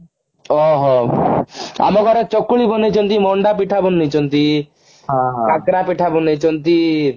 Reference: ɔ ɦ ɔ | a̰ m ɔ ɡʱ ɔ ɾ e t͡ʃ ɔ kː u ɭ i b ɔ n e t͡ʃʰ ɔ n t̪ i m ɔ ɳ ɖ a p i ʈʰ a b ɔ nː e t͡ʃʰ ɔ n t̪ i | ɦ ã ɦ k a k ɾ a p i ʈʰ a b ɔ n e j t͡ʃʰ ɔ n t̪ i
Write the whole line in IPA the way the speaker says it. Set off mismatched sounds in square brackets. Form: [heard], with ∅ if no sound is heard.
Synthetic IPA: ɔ ɦ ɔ | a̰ m ɔ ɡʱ ɔ ɾ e t͡ʃ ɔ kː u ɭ i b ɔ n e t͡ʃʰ ɔ n t̪ i m ɔ ɳ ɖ a p i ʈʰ a b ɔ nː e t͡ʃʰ ɔ n t̪ i | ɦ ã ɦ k a k ɾ a p i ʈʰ a b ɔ n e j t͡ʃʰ ɔ n t̪ i